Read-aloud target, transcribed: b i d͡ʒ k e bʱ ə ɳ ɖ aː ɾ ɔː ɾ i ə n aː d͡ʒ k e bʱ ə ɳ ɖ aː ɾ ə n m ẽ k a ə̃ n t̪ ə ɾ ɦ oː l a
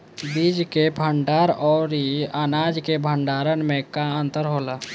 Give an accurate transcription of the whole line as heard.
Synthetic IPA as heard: b i d͡ʒ k e bʱ ə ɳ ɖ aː ɾ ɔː ɾ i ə n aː d͡ʒ k e bʱ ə ɳ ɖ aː ɾ ə n m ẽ k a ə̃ n t̪ ə ɾ ɦ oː l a

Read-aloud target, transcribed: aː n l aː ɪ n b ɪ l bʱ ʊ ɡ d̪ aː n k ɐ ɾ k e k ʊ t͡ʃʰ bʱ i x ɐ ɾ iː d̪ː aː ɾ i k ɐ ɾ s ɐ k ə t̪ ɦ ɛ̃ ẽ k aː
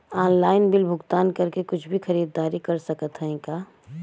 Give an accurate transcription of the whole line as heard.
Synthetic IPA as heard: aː n l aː ɪ n b ɪ l bʱ ʊ ɡ t̪ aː n k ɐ ɾ k e k ʊ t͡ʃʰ bʱ i x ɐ ɾ iː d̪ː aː ɾ i k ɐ ɾ s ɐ k ə t̪ ɦ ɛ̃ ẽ k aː

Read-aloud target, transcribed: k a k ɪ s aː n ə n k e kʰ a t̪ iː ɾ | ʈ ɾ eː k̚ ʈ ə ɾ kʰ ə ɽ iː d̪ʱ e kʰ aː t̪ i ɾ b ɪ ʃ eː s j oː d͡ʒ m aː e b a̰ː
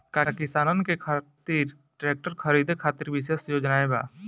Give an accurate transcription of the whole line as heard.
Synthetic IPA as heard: k a k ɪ s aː n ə n k e kʰ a t̪ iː ɾ | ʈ ɾ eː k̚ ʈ ə ɾ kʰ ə ɾ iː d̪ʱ e kʰ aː t̪ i ɾ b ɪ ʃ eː s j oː d͡ʒ n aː e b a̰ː

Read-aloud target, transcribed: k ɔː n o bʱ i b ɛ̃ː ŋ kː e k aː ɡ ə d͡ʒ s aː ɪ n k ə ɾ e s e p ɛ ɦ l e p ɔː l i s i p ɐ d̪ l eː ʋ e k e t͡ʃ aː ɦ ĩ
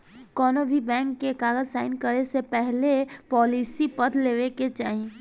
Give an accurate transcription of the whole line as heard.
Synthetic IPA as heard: k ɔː n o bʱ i b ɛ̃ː ŋ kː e k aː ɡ ə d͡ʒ s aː ɪ n k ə ɾ e s e p ɛ ɦ l e p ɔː l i s i p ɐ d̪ l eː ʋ e k e t͡ʃ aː ɦ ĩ

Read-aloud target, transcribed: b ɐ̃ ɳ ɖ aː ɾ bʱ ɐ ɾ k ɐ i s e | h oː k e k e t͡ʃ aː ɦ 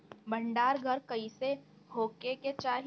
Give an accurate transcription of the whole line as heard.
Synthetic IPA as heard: b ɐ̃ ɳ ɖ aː ɾ ɡʱ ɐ ɾ k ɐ i s e | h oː k e k e t͡ʃ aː ɦ

